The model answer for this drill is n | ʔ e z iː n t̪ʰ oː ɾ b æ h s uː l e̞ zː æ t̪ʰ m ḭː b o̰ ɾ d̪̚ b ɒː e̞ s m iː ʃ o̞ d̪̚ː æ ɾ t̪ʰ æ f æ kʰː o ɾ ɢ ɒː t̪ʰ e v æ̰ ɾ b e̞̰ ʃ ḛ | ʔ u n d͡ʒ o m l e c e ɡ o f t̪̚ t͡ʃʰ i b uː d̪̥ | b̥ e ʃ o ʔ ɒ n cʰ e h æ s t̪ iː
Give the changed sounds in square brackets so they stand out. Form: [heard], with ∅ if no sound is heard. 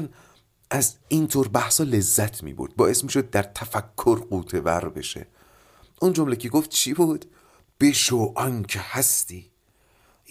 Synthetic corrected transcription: n | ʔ [æ] z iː n t̪ʰ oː ɾ b æ h s [ɒː] l e̞ zː æ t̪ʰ m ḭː b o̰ ɾ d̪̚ b ɒː e̞ s m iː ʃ o̞ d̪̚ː æ ɾ t̪ʰ æ f æ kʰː o ɾ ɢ [uː] t̪ʰ e v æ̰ ɾ b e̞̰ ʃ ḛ | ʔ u n d͡ʒ o m l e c e ɡ o f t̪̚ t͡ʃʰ i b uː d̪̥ | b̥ e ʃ o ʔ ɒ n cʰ e h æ s t̪ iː